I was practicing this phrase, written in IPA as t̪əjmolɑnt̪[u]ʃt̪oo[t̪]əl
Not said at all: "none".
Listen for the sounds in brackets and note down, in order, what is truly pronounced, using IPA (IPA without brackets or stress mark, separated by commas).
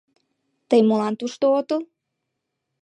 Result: u, t̪